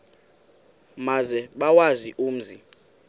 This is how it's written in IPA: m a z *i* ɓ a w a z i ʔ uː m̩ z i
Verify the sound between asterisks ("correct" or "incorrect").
incorrect